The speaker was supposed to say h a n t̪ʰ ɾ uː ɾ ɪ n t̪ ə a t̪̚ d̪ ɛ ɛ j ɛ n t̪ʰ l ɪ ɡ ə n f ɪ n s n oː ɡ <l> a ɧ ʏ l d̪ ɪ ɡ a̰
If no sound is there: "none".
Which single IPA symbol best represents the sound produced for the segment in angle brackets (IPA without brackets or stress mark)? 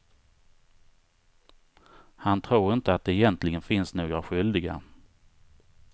ɾ